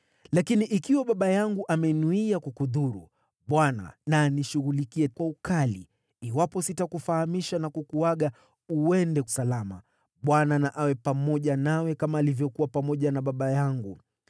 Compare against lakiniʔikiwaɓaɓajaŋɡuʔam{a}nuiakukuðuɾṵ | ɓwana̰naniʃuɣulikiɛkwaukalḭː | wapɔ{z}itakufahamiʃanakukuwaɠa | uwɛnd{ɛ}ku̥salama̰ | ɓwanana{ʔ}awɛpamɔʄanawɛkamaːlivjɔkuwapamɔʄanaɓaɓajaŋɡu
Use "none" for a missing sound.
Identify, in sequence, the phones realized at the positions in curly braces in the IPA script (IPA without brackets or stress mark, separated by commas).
ɛ, s, ɛ, ʔ